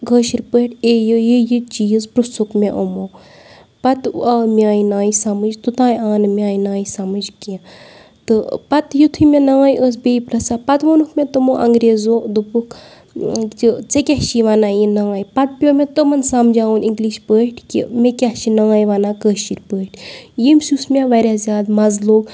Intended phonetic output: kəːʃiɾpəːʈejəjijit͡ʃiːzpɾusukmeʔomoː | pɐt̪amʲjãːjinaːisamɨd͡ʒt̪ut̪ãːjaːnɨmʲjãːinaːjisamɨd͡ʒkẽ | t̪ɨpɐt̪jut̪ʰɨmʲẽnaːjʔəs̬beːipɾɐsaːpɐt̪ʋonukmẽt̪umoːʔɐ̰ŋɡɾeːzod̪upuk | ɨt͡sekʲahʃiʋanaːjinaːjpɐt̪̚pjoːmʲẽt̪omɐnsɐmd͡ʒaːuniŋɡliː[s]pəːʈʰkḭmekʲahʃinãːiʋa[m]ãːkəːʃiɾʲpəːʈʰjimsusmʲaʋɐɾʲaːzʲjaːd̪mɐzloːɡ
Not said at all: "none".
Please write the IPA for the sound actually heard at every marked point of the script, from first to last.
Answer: ʃ, n

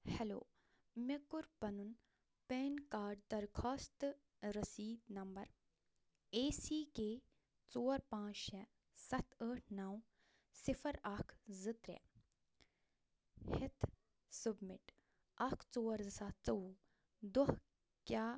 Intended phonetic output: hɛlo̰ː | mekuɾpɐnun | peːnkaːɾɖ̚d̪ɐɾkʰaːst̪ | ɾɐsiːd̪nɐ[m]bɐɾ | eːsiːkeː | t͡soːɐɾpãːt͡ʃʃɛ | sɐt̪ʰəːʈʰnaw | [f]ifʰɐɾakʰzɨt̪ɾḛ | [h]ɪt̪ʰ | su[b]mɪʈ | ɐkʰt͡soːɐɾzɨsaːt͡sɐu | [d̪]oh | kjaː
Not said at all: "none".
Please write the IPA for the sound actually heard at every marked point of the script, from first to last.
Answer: m, s, h, b, d̪

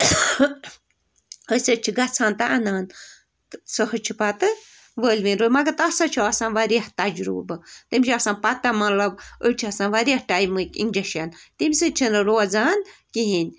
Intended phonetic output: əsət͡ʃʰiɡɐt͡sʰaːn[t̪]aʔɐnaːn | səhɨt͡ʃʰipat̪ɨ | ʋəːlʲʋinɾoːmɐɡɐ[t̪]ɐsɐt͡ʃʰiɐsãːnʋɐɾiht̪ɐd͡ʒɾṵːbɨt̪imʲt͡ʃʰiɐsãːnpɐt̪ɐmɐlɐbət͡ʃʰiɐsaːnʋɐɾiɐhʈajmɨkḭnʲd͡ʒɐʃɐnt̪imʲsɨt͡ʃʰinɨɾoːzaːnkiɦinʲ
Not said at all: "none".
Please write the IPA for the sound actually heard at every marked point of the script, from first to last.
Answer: t̪, t̪

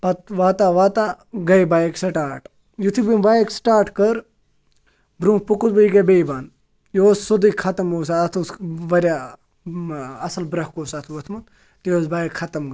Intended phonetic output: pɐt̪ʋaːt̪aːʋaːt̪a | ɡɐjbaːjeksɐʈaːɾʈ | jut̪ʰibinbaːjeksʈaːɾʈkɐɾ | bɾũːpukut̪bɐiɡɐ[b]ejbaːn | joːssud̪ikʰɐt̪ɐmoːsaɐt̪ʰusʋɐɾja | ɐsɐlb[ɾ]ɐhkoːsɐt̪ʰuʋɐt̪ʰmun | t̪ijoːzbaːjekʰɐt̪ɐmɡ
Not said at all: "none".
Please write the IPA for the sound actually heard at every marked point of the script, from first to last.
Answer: b, ɾ

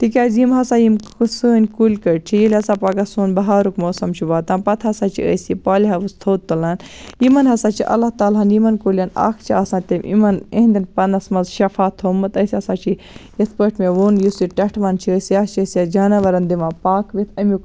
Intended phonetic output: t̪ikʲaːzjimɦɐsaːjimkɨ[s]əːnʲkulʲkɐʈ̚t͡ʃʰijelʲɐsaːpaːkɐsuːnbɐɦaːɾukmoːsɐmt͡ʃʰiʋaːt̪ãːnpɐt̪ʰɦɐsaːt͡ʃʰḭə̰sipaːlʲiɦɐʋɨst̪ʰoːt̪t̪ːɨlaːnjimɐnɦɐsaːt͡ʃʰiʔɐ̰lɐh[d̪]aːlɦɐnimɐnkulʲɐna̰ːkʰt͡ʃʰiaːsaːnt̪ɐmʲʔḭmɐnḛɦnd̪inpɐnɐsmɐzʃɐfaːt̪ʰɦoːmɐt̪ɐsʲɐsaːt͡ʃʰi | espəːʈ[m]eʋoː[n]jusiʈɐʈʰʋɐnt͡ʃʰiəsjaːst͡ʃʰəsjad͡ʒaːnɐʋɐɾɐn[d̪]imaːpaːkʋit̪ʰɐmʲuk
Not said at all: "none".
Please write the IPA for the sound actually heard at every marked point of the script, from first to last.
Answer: s, t̪, m, n, d̪

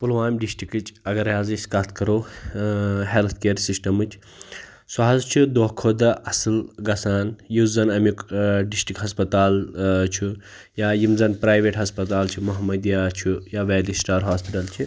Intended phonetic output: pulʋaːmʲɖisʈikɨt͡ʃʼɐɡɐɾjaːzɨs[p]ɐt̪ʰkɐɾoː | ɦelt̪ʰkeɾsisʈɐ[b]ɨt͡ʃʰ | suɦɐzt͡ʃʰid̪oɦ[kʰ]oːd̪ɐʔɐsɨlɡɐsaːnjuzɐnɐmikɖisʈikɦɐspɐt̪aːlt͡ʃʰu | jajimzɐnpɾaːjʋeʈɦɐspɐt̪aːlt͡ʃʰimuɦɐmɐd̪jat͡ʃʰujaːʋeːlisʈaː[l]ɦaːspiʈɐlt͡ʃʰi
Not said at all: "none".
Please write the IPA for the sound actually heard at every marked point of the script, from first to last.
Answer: k, m, kʰ, ɾ

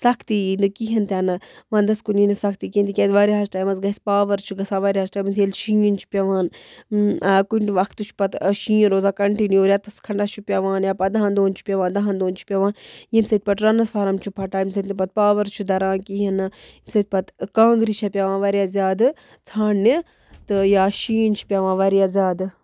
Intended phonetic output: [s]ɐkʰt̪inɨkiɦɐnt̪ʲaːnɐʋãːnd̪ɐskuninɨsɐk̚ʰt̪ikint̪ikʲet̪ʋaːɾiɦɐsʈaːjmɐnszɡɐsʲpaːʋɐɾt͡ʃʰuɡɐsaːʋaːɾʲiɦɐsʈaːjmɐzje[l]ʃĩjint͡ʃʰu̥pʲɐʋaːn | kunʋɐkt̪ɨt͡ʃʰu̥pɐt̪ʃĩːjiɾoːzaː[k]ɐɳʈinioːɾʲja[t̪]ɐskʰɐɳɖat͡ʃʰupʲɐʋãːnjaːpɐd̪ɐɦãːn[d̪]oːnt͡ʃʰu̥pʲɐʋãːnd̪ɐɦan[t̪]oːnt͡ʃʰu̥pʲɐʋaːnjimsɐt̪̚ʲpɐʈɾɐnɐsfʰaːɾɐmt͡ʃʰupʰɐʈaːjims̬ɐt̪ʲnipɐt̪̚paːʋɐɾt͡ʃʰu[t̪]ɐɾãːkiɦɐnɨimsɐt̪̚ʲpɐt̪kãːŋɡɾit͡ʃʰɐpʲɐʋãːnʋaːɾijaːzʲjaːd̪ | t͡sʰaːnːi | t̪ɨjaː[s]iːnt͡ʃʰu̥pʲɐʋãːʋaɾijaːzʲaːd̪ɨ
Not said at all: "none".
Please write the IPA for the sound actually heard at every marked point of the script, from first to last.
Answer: s, l, k, t̪, d̪, d̪, d̪, ʃ

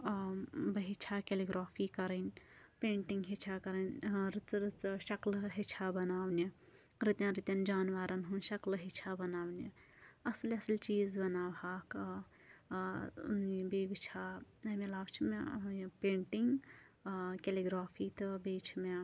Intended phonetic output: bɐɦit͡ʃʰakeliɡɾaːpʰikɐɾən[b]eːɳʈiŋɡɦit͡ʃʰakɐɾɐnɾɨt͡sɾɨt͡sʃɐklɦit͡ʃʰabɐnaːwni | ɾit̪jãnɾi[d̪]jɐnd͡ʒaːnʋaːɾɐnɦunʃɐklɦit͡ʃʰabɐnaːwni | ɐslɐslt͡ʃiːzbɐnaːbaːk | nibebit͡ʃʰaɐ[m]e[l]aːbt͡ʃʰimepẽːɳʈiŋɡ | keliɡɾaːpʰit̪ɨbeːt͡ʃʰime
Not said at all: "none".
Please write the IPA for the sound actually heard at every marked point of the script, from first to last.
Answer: p, t̪, m, l

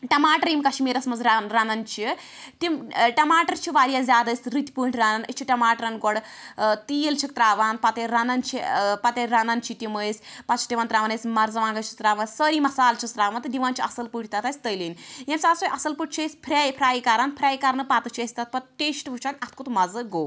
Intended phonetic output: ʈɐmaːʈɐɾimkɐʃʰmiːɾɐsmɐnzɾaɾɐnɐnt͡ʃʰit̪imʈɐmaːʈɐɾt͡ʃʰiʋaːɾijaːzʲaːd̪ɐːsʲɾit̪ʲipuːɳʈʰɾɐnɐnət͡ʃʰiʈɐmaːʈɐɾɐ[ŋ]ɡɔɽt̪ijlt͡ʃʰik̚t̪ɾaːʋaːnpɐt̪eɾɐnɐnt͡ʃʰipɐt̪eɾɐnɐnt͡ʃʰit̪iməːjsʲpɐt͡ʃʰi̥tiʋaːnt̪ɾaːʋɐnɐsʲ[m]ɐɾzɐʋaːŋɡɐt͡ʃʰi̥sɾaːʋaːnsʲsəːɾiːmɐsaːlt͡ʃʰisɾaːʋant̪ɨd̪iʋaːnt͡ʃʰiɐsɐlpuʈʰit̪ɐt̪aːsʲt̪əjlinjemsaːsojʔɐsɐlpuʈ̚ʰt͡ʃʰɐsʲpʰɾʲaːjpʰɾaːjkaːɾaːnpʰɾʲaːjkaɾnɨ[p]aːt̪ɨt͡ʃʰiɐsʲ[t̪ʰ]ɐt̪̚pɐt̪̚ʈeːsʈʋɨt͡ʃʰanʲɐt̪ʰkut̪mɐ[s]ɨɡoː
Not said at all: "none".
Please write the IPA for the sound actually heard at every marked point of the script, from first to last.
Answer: n, m, p, t̪, z

